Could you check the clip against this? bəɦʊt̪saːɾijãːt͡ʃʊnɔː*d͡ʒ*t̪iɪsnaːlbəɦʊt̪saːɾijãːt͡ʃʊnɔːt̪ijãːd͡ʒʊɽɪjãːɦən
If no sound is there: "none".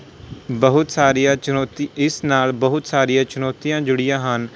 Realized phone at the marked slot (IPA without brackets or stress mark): none